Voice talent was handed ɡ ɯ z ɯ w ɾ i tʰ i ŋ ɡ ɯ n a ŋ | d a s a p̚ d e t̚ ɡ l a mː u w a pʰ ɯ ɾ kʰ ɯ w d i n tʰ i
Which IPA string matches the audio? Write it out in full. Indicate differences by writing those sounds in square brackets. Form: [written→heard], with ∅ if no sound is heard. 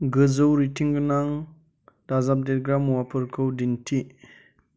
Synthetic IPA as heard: ɡ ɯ z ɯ w ɾ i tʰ i ŋ ɡ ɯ n a ŋ | d a [s→z] a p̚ d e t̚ ɡ [l→ɾ] a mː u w a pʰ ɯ ɾ kʰ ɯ w d i n tʰ i